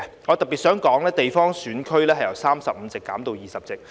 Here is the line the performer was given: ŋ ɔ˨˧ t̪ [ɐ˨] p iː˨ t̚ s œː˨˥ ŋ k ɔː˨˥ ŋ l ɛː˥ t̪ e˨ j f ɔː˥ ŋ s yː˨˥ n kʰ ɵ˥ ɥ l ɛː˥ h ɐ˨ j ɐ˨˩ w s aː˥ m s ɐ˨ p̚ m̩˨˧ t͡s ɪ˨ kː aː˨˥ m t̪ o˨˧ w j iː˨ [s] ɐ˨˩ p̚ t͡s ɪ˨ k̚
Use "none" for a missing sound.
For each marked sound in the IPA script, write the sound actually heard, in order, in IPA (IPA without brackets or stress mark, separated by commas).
ɐ˨, s